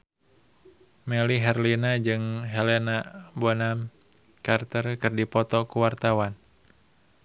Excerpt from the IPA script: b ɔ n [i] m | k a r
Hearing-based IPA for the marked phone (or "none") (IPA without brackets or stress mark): a